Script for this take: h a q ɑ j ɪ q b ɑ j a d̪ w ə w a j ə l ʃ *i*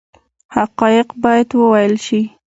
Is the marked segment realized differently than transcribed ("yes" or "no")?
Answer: no